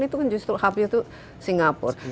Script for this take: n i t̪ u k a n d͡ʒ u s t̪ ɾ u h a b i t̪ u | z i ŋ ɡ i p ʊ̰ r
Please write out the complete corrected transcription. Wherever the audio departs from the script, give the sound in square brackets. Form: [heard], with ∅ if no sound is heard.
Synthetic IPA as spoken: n i t̪ u k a n d͡ʒ u s t̪ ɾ u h a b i t̪ u | [s] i ŋ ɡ [a] p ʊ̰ r